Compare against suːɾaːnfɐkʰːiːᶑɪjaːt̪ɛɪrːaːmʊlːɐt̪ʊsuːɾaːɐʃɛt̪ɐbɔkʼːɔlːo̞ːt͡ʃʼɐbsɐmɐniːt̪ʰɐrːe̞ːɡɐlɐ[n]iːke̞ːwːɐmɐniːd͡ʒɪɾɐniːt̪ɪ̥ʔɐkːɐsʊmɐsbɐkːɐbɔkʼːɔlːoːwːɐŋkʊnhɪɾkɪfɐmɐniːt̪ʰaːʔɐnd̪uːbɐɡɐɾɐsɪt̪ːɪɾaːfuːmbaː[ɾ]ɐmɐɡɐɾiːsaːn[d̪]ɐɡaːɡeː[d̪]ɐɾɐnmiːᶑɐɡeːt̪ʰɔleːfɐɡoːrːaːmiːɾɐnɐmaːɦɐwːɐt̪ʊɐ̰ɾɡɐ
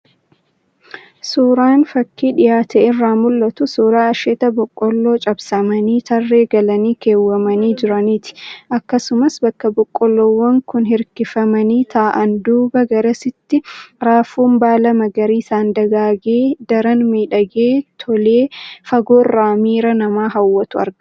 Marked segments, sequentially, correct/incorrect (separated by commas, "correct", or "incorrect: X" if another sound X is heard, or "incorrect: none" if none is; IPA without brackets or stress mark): correct, incorrect: l, correct, correct